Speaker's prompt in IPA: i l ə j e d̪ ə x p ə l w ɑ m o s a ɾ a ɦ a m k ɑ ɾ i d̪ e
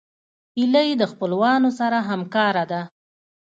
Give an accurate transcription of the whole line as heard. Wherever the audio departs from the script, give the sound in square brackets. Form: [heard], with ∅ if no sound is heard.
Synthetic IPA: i l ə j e d̪ ə x p ə l w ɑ [n] o s a ɾ a ɦ a m k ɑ ɾ [a] d̪ [a]

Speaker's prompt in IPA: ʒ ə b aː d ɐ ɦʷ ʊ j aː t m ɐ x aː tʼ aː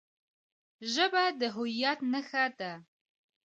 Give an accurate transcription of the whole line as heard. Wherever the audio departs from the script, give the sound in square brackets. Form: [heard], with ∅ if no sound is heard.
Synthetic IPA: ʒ [ɐ] b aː d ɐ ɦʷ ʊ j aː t [n] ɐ x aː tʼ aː

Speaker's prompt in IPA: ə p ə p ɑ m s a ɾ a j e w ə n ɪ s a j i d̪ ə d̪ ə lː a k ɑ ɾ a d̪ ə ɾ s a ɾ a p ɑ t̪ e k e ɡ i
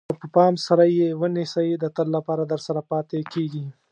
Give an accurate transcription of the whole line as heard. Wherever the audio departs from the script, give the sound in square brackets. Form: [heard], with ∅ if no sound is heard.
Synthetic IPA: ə p ə p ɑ m s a ɾ a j e w ə n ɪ s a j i d̪ ə [t̪] ə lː a [p] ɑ ɾ a d̪ ə ɾ s a ɾ a p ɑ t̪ e k e ɡ i

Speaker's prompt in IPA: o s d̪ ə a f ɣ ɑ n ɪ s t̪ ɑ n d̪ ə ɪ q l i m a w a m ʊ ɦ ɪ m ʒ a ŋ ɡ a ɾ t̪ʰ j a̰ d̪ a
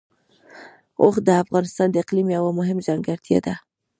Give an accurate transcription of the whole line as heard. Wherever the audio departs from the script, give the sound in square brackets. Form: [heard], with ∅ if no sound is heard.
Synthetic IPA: o [x] d̪ ə a f ɣ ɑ n ɪ s t̪ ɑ n d̪ ə ɪ q l i m a w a m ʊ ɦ ɪ m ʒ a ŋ ɡ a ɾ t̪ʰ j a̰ d̪ a

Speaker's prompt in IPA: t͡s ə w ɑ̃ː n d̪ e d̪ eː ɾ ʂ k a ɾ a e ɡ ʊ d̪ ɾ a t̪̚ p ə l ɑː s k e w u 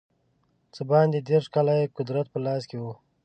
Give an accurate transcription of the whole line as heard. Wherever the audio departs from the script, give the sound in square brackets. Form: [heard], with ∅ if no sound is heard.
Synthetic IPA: t͡s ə [b] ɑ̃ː n d̪ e d̪ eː ɾ ʂ k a [l] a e [k] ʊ d̪ ɾ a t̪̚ p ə l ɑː s k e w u

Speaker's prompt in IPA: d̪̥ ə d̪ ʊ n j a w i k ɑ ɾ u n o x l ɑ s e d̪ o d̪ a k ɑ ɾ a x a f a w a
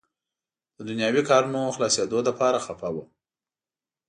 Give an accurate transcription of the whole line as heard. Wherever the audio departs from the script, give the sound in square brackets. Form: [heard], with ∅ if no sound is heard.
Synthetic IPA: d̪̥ ə d̪ ʊ n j [ɑ] w i k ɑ ɾ u n o x l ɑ s e d̪ o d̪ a [p] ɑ ɾ a x a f a w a

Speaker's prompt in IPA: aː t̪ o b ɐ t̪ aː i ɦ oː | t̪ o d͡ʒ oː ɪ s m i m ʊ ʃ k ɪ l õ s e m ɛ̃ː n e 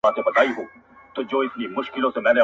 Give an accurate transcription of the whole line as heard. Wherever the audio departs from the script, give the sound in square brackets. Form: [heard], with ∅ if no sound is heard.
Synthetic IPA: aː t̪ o b ɐ t̪ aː i ɦ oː | t̪ o d͡ʒ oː ɪ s [n] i m ʊ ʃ k ɪ l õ s e m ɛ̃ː n e

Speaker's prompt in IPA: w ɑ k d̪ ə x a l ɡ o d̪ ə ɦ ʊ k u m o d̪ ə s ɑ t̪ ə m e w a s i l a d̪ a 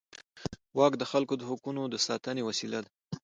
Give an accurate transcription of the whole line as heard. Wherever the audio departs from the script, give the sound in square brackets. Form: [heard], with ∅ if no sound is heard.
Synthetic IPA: w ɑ k d̪ ə x a l [k] o d̪ ə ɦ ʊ k u [n] o d̪ ə s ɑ t̪ ə [n] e w a s i l a d̪ a

